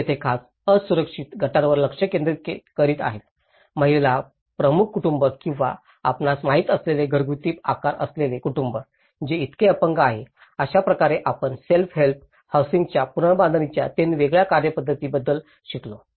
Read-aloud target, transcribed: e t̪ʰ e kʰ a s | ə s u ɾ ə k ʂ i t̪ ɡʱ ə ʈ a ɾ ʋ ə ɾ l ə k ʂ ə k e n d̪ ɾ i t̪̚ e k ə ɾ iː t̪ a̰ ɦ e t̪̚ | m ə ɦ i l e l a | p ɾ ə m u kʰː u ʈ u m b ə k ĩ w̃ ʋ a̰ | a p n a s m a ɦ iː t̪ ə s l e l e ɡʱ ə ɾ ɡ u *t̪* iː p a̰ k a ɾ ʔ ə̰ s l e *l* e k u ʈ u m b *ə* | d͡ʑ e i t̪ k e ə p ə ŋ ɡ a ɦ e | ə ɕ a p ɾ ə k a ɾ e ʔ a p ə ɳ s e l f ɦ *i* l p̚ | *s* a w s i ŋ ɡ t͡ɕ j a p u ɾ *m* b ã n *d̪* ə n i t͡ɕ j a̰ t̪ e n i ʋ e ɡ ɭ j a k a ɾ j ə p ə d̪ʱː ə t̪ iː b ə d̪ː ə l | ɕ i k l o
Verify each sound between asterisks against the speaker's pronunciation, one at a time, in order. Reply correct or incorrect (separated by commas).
correct, correct, correct, incorrect, incorrect, incorrect, correct